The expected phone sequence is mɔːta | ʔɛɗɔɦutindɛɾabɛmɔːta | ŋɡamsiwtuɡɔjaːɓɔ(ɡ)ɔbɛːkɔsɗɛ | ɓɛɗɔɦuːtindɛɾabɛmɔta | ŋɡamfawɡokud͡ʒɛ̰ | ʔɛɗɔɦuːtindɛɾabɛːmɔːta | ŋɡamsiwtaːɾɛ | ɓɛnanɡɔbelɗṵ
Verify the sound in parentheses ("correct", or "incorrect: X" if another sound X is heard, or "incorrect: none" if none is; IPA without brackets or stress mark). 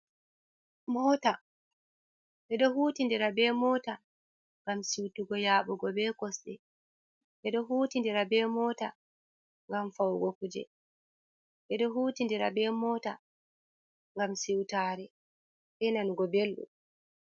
correct